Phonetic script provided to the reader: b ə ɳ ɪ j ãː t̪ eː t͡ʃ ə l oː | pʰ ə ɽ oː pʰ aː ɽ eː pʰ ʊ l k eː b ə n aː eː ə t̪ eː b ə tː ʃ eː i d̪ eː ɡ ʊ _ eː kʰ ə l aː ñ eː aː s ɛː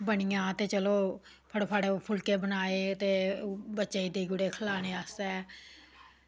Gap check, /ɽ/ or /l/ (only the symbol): ɽ